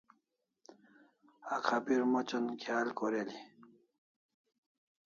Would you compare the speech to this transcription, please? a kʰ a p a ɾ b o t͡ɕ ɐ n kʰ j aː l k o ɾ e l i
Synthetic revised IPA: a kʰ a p i ɾ m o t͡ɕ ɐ n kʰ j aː l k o ɾ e l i